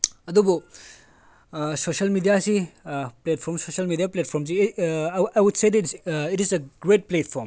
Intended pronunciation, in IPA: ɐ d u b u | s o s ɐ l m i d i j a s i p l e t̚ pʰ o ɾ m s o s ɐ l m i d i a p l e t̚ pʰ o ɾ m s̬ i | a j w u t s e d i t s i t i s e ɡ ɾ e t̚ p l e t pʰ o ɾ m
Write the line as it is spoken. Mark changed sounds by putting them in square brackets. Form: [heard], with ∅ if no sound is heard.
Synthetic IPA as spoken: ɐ d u b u | s o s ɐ l m i d i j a s i p l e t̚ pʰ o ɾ m s o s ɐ l m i d i a p l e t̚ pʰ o ɾ m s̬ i | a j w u [d] s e d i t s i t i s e ɡ ɾ e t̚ p l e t pʰ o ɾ m

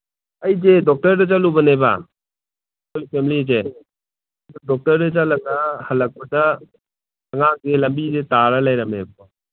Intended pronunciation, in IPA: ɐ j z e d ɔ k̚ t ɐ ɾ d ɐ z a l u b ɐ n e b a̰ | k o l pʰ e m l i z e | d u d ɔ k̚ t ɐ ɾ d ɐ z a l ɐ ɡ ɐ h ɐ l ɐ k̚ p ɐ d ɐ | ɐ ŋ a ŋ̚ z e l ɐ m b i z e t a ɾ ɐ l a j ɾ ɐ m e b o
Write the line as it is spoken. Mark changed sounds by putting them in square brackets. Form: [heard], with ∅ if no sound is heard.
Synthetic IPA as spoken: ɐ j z e d ɔ k̚ t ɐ ɾ d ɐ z a l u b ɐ n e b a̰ | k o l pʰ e m l i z e | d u d ɔ k̚ t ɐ ɾ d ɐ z a l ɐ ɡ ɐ h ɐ l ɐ k̚ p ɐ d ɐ | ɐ ŋ a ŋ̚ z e l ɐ m b i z e t a ɾ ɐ l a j ɾ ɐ m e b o

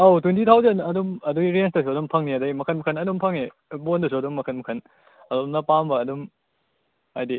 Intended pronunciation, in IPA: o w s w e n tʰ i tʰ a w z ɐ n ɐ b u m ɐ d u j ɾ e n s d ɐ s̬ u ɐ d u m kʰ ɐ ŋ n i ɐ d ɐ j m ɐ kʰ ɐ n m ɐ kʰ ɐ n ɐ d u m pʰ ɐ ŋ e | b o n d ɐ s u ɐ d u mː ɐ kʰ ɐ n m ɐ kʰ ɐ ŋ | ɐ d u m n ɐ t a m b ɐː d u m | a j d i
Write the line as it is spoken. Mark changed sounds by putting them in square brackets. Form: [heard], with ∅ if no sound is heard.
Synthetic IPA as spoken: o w [t] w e n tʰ i tʰ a w z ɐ n ɐ [d] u m ɐ d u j ɾ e n s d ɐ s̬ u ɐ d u m [pʰ] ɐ ŋ n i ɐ d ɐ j m ɐ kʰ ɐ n m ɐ kʰ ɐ n ɐ d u m pʰ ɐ ŋ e | b o n d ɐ s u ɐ d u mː ɐ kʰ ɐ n m ɐ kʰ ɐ [n] | ɐ d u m n ɐ [p] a m b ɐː d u m | a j d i

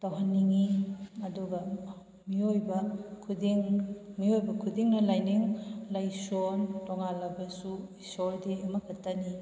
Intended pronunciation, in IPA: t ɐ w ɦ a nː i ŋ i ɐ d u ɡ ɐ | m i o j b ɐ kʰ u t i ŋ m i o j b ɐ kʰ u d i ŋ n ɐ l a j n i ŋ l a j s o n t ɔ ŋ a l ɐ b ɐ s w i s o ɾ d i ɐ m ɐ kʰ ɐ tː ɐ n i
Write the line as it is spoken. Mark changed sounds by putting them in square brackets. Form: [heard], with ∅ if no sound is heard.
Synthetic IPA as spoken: t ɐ w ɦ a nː i ŋ i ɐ d u ɡ ɐ | m i o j b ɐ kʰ u [d] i ŋ m i o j b ɐ kʰ u d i ŋ n ɐ l a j n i ŋ l a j s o n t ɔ ŋ a l ɐ b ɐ s [u] i s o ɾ d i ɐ m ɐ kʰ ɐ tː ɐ n i

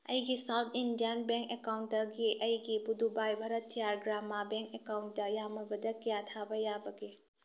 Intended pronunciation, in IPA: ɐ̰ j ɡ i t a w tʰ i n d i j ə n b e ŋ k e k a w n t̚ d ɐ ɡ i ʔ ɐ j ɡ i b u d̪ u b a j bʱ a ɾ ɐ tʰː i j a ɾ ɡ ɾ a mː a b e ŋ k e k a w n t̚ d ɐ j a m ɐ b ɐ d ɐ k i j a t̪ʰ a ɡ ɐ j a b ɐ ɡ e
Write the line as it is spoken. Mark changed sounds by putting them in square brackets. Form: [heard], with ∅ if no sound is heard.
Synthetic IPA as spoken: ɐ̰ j ɡ i [s] a w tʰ i n d i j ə n b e ŋ k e k a w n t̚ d ɐ ɡ i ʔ ɐ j ɡ i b u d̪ u b a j bʱ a ɾ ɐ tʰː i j a ɾ ɡ ɾ a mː a b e ŋ k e k a w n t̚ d ɐ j a m ɐ b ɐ d ɐ k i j a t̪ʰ a [b] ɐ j a b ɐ ɡ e

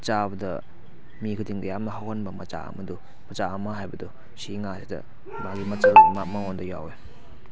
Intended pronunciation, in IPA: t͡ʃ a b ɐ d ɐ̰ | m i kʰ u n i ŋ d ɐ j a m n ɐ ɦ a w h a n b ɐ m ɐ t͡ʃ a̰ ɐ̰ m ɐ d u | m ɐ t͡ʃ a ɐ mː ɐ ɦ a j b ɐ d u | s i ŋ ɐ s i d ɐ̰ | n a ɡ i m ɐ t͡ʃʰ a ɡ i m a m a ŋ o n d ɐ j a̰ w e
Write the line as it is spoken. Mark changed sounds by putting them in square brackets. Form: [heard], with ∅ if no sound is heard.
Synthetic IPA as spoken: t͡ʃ a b ɐ d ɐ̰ | m i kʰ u [d] i ŋ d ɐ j a m n ɐ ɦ a w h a n b ɐ m ɐ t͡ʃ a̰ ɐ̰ m ɐ d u | m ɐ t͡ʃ a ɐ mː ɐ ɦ a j b ɐ d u | s i ŋ [a] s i d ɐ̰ | [m] a ɡ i m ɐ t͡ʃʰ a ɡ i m a m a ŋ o n d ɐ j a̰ w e

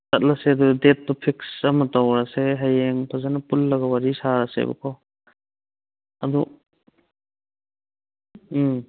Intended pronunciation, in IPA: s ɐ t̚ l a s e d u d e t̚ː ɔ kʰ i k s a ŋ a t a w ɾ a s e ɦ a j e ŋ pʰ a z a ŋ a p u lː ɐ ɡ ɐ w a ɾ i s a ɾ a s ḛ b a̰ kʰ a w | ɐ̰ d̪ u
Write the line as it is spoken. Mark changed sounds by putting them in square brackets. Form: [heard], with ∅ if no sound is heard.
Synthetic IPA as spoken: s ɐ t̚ l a s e d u d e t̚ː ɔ [pʰ] i k s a [m] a t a w ɾ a s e ɦ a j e ŋ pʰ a z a [n] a p u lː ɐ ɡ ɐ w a ɾ i s a ɾ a s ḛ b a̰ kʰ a w | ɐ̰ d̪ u

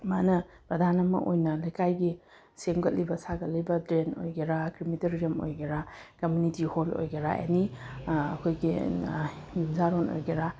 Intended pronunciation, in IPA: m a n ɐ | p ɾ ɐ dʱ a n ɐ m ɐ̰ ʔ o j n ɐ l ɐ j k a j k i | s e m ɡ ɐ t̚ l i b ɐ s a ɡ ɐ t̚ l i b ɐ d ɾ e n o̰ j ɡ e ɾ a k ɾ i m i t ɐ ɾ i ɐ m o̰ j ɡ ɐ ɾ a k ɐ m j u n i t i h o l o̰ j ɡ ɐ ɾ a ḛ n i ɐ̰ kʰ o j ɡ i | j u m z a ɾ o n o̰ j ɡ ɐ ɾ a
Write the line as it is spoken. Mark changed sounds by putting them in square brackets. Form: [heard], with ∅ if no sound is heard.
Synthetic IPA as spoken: m a n ɐ | p ɾ ɐ dʱ a n ɐ m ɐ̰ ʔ o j n ɐ l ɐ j k a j [ɡ] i | s e m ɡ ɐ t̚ l i b ɐ s a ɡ ɐ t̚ l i b ɐ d ɾ e n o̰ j ɡ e ɾ a k ɾ i m i t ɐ ɾ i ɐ m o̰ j ɡ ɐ ɾ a k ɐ m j u n i t i h o l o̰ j ɡ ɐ ɾ a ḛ n i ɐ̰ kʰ o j ɡ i | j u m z a ɾ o n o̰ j ɡ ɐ ɾ a

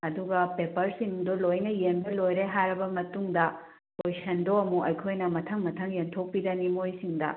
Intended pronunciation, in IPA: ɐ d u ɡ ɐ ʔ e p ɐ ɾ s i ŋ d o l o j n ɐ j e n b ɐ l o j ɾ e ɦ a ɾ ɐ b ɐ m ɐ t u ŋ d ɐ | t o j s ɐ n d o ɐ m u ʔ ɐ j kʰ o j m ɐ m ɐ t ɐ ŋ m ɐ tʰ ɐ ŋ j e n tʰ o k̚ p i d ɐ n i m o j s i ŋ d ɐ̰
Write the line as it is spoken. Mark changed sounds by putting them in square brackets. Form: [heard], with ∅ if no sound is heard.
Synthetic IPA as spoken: ɐ d u ɡ ɐ [p] e p ɐ ɾ s i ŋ d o l o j n ɐ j e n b ɐ l o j ɾ e ɦ a ɾ ɐ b ɐ m ɐ t u ŋ d ɐ | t o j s ɐ n d o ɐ m u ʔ ɐ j kʰ o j [n] ɐ m ɐ [tʰ] ɐ ŋ m ɐ tʰ ɐ ŋ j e n tʰ o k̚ p i d ɐ n i m o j s i ŋ d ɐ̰

